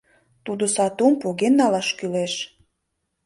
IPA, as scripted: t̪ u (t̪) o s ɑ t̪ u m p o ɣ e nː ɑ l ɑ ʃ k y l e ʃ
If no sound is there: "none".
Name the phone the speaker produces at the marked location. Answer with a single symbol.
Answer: d̪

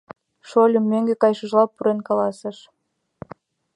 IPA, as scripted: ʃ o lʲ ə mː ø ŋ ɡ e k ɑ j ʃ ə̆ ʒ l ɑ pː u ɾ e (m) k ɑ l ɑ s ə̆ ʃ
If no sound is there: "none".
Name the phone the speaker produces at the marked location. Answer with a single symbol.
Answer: n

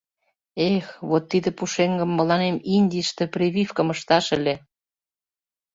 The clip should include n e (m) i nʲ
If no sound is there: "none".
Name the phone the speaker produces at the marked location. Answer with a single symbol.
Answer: m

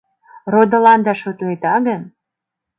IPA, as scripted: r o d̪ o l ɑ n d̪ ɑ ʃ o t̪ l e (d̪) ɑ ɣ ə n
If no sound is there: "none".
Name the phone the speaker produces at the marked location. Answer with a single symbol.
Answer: t̪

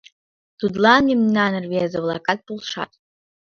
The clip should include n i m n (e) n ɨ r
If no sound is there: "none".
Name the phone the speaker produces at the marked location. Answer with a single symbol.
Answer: a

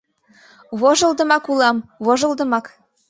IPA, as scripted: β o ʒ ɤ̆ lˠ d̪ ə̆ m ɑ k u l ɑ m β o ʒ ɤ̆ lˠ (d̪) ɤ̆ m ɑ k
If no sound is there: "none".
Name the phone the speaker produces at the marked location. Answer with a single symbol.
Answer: d̪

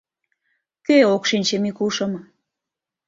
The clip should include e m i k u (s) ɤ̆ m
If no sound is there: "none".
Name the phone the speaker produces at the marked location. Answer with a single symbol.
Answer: ʃ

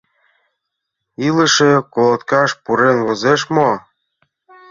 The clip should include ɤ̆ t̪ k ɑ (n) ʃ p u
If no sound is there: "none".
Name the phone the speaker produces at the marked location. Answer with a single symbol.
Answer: none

